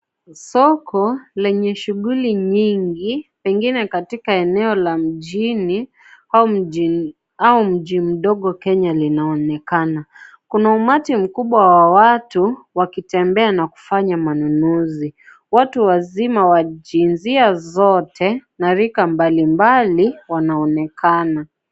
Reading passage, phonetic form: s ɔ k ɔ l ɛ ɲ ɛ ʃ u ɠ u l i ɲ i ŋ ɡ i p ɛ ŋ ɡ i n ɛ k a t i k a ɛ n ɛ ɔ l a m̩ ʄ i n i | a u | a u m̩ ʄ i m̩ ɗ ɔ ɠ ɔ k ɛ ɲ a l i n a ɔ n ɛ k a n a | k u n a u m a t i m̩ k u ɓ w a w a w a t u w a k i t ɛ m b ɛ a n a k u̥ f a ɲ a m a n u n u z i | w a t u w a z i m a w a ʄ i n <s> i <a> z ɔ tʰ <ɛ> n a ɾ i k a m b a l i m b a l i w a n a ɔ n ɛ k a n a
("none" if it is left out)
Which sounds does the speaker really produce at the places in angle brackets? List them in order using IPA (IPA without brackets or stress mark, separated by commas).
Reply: z, a, ɛ